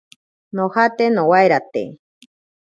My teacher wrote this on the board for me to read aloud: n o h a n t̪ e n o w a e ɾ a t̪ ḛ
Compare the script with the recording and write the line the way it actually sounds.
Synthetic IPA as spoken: n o h a t̪ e n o w a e ɾ a t̪ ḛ